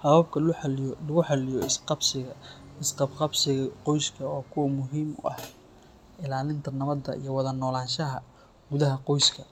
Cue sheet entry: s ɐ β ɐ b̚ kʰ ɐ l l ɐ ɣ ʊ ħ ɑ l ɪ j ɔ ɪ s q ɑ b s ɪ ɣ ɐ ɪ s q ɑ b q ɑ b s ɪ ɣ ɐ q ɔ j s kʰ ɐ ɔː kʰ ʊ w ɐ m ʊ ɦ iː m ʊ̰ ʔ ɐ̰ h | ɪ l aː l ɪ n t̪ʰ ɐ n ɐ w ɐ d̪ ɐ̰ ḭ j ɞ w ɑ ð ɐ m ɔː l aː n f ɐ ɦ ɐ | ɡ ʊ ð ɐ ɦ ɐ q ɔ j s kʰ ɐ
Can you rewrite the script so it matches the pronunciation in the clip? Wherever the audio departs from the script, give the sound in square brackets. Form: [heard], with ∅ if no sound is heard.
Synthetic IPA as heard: [h] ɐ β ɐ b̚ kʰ ɐ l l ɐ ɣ ʊ ħ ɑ l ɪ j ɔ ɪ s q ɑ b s ɪ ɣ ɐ ɪ s q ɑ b q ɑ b s ɪ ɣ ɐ q ɔ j s kʰ ɐ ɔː kʰ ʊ w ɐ m ʊ ɦ iː m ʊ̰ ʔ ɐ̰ h | ɪ l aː l ɪ n t̪ʰ ɐ n ɐ [β] ɐ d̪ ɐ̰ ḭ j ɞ w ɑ ð ɐ [n] ɔː l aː n [ʃ] ɐ ɦ ɐ | ɡ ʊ ð ɐ ɦ ɐ q ɔ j s kʰ ɐ